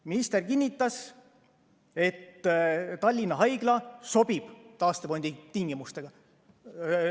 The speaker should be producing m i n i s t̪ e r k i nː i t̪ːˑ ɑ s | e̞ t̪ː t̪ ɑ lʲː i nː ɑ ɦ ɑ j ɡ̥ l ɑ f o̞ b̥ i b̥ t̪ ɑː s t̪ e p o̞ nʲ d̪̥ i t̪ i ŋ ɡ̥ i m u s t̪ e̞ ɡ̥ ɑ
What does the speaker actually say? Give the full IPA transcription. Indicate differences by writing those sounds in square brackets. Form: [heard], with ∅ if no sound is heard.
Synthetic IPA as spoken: m i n i s t̪ e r k i nː i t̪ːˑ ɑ s | e̞ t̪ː t̪ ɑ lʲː i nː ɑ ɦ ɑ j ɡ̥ l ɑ [s] o̞ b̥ i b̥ t̪ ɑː s t̪ e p o̞ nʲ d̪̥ i t̪ i ŋ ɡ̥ i m u s t̪ e̞ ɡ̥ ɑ